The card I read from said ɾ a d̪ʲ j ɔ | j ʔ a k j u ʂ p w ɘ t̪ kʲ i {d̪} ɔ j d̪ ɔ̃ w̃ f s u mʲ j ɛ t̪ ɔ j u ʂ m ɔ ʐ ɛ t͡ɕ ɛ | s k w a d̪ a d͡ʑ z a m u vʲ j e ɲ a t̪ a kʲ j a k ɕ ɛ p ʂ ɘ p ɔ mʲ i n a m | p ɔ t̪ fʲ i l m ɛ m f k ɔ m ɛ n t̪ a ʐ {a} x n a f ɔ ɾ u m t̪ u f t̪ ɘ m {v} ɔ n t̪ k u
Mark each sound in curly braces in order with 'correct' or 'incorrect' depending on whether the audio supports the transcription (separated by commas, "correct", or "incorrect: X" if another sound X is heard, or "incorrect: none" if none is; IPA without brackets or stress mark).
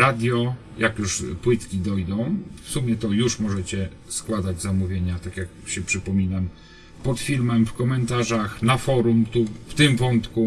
correct, correct, correct